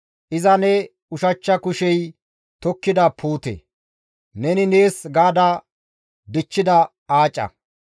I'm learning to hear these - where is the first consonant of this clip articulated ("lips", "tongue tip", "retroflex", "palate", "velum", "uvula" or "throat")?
throat